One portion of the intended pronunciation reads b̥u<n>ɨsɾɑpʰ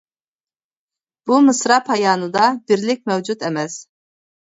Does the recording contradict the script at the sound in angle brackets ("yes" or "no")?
yes